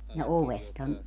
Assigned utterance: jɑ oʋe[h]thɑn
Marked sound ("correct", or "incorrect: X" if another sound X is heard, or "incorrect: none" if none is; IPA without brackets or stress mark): incorrect: s